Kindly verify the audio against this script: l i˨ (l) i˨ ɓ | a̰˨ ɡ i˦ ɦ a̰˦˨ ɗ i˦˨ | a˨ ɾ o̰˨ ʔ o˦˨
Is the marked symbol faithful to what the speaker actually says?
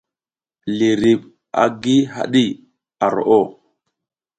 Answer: no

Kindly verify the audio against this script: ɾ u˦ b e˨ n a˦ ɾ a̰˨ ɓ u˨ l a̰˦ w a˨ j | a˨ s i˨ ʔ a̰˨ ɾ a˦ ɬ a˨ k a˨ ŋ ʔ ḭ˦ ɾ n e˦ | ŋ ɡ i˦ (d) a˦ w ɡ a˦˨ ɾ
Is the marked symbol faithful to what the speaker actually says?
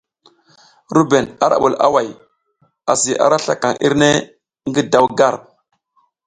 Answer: yes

